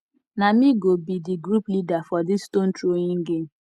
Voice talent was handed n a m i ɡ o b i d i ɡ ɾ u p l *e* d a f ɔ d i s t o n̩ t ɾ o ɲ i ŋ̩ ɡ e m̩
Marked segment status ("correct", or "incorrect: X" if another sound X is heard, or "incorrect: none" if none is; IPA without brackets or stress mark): incorrect: i